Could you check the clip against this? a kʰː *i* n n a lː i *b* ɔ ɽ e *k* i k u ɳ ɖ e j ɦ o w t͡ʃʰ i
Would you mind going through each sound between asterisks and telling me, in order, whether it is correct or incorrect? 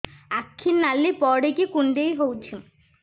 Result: correct, incorrect: p, correct

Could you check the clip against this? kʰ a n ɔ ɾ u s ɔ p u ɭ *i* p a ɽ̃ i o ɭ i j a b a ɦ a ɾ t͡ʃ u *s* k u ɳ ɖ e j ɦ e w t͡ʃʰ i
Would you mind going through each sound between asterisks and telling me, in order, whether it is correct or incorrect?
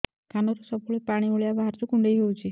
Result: incorrect: e, incorrect: none

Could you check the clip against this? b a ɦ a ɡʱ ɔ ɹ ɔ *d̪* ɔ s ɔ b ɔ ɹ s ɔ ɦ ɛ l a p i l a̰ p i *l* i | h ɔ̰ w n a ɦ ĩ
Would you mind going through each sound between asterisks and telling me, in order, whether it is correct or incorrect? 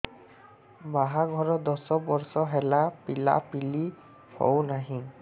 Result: correct, correct

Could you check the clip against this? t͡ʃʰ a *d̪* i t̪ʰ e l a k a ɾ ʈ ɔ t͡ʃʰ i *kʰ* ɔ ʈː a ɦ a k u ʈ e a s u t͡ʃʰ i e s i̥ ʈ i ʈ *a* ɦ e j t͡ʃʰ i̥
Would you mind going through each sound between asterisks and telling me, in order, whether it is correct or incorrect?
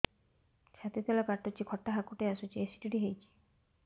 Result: incorrect: t̪, correct, incorrect: i

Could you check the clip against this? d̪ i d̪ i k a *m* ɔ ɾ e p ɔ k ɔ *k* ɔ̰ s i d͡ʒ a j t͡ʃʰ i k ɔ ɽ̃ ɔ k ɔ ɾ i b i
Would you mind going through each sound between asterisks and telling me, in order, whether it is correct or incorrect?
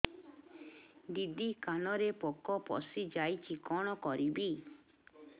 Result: incorrect: n, incorrect: p

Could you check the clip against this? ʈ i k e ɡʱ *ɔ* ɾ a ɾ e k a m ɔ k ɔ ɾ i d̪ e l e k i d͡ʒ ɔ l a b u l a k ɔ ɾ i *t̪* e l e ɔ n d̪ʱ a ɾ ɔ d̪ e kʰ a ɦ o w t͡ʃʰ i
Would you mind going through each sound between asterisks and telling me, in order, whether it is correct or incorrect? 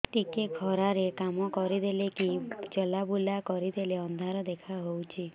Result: correct, incorrect: d̪

